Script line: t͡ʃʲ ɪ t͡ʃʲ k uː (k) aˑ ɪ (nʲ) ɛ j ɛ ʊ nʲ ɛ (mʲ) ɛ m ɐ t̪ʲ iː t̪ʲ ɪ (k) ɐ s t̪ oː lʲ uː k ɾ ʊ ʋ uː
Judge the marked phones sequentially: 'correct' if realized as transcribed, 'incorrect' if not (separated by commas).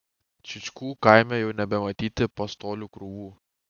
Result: correct, incorrect, incorrect, incorrect